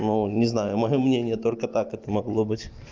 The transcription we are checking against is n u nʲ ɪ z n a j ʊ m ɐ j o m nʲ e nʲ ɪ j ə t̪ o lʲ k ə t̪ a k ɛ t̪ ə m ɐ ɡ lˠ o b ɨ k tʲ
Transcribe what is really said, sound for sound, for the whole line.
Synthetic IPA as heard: n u nʲ ɪ z n a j ʊ m ɐ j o m nʲ e nʲ ɪ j ə t̪ o lʲ k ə t̪ a k ɛ t̪ ə m ɐ ɡ lˠ o b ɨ tʲ